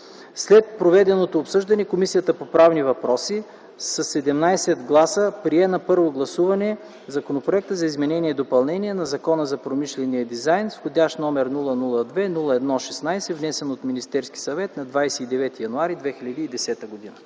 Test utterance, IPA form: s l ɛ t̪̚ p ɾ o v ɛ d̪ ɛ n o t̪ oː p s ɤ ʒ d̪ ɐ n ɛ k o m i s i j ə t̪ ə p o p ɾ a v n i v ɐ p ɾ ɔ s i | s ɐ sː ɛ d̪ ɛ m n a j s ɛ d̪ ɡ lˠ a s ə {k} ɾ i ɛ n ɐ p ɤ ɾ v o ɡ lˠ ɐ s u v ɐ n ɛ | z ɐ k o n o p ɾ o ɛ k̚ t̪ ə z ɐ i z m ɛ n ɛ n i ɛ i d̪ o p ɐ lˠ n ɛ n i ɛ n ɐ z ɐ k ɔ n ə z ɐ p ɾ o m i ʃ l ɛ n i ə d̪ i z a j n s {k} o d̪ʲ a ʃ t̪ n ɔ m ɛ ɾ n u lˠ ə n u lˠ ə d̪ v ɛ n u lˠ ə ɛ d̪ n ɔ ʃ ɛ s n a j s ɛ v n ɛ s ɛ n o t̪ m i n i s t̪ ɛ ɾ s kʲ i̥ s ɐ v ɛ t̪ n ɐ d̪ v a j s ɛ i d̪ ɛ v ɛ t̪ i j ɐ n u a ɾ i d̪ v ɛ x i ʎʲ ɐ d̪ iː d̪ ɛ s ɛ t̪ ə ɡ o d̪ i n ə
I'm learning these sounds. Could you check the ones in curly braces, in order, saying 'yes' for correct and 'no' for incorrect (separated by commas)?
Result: no, no